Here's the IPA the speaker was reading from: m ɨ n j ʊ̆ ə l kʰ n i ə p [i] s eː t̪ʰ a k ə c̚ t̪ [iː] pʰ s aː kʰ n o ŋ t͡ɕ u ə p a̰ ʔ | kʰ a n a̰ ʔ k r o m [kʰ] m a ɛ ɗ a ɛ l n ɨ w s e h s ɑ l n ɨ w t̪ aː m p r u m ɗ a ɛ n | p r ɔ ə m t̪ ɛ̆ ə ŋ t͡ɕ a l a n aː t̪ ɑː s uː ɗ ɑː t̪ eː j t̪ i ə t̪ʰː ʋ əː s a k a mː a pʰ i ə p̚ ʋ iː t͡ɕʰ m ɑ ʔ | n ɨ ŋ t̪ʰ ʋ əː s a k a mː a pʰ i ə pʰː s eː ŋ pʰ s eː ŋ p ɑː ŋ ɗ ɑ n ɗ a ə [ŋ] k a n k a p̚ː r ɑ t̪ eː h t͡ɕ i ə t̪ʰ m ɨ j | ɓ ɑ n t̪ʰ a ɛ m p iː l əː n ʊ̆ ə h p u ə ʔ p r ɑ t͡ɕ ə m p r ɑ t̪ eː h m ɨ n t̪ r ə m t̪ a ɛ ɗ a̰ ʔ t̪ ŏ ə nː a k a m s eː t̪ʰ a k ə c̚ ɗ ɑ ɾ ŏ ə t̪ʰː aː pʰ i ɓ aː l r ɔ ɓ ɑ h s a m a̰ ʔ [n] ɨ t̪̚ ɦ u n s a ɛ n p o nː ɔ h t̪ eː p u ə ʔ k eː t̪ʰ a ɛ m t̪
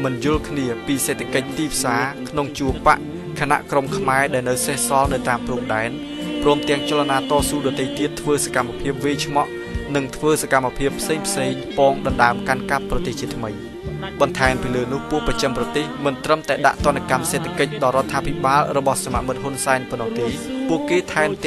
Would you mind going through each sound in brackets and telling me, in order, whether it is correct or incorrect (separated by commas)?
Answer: incorrect, correct, correct, incorrect, incorrect